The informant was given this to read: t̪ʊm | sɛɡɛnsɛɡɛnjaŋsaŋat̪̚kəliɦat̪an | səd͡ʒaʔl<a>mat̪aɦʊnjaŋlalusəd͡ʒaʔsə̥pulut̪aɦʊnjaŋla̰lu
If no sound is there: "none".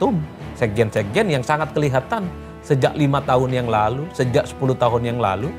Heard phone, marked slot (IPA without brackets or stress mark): i